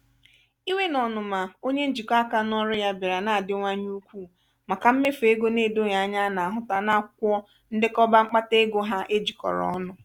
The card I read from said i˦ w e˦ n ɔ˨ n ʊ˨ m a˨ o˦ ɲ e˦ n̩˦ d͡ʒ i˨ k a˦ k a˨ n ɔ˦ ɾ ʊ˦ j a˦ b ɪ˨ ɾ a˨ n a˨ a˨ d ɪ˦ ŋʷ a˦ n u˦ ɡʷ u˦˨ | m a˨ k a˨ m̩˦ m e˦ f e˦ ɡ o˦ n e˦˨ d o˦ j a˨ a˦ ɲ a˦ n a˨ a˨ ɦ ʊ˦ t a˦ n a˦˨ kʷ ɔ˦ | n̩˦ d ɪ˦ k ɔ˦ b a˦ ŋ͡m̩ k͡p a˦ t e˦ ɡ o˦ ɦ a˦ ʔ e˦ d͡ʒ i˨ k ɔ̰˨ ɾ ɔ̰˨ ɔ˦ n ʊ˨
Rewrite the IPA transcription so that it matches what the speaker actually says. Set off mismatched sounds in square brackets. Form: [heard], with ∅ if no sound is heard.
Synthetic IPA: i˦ w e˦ n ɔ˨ n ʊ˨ m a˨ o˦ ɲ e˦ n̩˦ d͡ʒ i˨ k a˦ k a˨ n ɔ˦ ɾ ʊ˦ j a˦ b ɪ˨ ɾ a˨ n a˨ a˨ d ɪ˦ ŋʷ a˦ [ɲ] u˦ [kʷ] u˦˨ | m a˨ k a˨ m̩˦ m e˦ f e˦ ɡ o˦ n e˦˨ d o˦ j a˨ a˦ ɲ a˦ n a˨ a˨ ɦ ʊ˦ t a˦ n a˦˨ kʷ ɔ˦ | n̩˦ d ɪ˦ k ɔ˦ b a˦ ŋ͡m̩ k͡p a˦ t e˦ ɡ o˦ ɦ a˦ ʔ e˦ d͡ʒ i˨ k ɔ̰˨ ɾ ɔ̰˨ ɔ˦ n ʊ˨